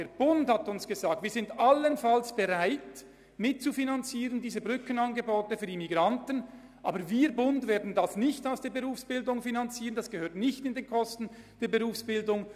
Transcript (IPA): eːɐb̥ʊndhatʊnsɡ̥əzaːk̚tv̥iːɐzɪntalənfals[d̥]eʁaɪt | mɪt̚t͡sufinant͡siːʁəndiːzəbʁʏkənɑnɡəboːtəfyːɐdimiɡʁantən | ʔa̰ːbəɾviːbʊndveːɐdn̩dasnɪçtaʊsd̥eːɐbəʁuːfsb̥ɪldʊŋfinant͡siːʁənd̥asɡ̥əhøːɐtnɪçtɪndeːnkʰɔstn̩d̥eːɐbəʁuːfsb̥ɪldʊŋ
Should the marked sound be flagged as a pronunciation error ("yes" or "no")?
yes